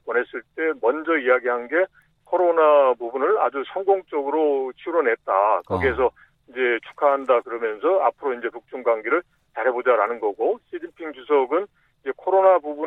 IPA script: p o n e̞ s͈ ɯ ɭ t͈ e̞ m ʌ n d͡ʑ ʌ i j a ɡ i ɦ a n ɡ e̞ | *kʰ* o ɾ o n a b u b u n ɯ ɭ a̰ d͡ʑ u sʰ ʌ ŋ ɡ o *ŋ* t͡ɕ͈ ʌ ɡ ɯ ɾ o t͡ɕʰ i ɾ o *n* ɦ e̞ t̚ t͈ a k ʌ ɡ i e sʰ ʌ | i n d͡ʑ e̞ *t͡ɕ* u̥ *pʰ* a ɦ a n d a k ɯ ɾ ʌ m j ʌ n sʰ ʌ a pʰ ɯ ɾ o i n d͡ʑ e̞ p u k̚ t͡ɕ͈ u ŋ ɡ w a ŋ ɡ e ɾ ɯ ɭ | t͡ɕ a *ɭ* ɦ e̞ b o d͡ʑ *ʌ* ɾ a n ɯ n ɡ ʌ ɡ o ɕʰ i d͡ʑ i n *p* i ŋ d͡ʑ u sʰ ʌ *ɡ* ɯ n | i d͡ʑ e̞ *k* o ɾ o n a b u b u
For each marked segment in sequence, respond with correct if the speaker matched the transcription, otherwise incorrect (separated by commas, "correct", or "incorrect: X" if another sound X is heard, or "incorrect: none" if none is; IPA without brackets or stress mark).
correct, correct, correct, incorrect: t͡ɕʰ, incorrect: kʰ, incorrect: ɾ, incorrect: a, incorrect: pʰ, correct, incorrect: kʰ